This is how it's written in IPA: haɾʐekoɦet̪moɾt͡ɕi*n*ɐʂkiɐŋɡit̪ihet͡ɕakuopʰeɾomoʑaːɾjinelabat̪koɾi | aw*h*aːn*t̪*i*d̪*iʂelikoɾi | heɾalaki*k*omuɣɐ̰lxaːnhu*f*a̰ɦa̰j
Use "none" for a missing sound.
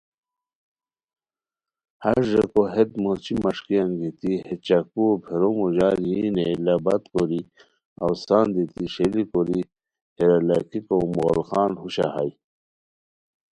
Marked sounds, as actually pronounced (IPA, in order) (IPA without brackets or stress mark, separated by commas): m, s, d̪, t̪, k, ɕ